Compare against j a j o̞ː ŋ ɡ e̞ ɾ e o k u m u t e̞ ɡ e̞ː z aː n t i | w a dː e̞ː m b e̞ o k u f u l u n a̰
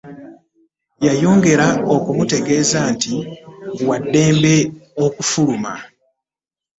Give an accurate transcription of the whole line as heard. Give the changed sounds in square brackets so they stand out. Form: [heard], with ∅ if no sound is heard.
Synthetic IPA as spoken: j a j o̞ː ŋ ɡ e̞ ɾ [a] o k u m u t e̞ ɡ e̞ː z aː n t i | w a dː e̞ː m b e̞ o k u f u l u [m] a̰